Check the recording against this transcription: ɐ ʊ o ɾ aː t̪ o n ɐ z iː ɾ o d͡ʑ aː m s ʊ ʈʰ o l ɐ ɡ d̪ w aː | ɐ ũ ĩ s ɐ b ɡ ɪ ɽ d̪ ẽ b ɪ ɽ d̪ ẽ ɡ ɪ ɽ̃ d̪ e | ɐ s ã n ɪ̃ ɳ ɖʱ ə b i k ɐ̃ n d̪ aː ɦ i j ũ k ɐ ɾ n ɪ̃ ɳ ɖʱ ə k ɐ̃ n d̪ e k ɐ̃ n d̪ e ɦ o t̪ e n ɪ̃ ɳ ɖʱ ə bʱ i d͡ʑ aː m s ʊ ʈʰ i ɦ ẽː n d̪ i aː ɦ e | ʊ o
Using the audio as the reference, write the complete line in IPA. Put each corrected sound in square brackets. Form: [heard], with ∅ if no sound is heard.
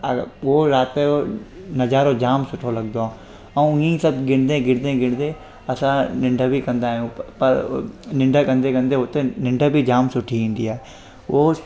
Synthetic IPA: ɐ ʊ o ɾ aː t̪ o n ɐ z [aː] ɾ o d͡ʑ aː m s ʊ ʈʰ o l ɐ ɡ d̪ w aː | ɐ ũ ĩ s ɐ b ɡ ɪ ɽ d̪ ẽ [ɡ] ɪ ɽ d̪ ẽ ɡ ɪ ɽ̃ d̪ e | ɐ s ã n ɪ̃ ɳ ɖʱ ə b i k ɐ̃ n d̪ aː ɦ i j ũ [p] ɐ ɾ n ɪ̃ ɳ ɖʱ ə k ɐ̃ n d̪ e k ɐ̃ n d̪ e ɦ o t̪ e n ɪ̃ ɳ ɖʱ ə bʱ i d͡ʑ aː m s ʊ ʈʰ i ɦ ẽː n d̪ i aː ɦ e | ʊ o